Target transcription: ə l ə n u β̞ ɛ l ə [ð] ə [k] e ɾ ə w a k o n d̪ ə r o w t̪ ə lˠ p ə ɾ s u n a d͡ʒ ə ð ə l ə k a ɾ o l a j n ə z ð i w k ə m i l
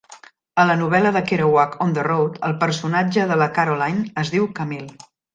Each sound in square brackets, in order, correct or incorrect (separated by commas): correct, correct